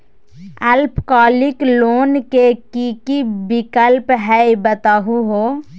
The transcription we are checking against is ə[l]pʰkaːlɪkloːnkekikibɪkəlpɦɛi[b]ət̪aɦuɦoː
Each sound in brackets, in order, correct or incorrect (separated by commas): correct, correct